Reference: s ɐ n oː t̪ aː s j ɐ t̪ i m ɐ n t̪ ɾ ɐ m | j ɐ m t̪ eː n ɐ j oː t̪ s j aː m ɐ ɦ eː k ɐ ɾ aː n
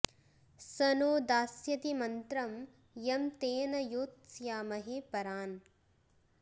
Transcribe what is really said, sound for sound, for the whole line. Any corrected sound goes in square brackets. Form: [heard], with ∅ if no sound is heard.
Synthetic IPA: s ɐ n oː [d̪] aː s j ɐ t̪ i m ɐ n t̪ ɾ ɐ m | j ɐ m t̪ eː n ɐ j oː t̪ s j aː m ɐ ɦ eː [p] ɐ ɾ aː n